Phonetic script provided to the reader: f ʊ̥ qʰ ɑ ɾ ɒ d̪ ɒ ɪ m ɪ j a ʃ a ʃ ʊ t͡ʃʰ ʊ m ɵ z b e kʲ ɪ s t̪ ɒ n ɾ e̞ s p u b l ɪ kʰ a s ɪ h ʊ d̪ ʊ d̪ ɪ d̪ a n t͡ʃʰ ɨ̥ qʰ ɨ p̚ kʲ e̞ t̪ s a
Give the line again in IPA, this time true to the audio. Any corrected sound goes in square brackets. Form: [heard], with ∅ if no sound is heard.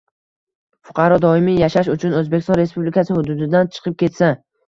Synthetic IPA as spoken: f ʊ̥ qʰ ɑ ɾ ɒ d̪ ɒ ɪ m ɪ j a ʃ a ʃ ʊ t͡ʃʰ ʊ [n] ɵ z b e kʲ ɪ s t̪ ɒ n ɾ e̞ s p u b l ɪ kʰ a s ɪ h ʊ d̪ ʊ d̪ ɪ d̪ a n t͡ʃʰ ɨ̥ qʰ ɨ p̚ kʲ e̞ t̪ s a